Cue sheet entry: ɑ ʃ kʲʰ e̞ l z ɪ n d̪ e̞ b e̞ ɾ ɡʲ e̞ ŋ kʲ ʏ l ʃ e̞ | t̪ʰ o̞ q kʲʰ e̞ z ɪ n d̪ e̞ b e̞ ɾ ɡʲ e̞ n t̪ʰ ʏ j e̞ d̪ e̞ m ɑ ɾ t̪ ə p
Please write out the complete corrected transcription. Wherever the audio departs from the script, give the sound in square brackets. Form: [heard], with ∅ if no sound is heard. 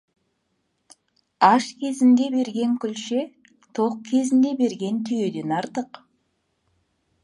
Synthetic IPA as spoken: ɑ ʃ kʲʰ e̞ [∅] z ɪ n d̪ e̞ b e̞ ɾ ɡʲ e̞ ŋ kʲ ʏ l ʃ e̞ | t̪ʰ o̞ q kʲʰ e̞ z ɪ n d̪ e̞ b e̞ ɾ ɡʲ e̞ n t̪ʰ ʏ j e̞ d̪ e̞ [n] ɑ ɾ t̪ ə [q]